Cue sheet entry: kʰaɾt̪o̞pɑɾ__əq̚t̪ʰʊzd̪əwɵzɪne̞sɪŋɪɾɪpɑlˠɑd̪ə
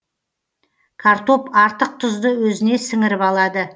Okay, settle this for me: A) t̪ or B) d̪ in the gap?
A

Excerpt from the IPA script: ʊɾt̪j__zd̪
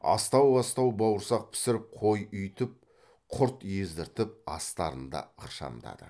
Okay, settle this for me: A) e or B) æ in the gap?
A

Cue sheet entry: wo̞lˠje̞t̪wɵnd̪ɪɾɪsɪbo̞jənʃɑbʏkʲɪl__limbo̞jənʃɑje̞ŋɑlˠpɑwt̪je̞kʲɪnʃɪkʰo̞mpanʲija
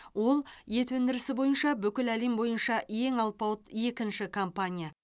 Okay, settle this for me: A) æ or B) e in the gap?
A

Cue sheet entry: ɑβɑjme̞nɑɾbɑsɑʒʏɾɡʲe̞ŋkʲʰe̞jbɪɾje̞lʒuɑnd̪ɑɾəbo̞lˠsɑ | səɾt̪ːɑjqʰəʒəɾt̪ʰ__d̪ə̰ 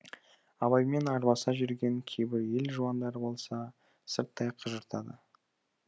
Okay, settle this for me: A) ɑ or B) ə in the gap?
A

